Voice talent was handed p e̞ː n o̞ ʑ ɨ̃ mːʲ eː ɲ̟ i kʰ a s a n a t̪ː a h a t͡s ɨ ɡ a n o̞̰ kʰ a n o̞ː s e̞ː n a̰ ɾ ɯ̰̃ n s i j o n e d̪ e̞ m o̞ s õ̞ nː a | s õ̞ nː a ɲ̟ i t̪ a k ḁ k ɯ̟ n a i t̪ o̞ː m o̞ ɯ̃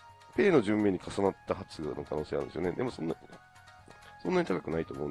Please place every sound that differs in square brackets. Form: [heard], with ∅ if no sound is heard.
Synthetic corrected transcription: p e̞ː n o̞ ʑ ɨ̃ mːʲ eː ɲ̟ i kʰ a s a n a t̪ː a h a t͡s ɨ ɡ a n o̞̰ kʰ a n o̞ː s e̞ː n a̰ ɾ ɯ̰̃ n s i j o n e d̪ e̞ m o̞ s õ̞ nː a | s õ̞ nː a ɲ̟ i t̪ a k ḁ k ɯ̟ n a i t̪ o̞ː m o̞ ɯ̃